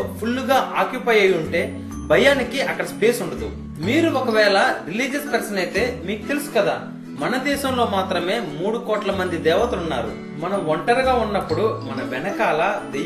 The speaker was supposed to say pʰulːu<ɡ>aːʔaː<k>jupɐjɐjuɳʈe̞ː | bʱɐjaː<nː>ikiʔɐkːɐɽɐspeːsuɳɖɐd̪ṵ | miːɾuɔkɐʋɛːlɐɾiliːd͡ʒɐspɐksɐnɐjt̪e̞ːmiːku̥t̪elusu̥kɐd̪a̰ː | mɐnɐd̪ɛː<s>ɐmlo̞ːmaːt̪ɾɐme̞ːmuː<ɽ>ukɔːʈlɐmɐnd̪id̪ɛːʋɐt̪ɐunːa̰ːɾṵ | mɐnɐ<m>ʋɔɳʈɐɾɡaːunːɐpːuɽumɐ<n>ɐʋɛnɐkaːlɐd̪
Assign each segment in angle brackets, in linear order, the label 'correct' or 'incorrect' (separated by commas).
correct, correct, incorrect, incorrect, correct, correct, correct